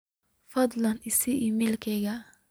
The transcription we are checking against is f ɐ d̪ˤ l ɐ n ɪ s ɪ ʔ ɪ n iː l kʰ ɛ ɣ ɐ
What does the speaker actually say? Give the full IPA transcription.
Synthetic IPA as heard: f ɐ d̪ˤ l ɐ n ɪ s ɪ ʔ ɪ m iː l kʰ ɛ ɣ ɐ